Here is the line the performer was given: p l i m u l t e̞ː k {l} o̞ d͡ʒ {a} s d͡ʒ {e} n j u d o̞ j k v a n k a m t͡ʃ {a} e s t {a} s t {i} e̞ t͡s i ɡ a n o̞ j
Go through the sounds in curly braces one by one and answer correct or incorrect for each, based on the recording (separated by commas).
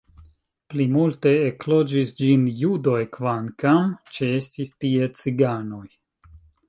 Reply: correct, incorrect, incorrect, incorrect, incorrect, correct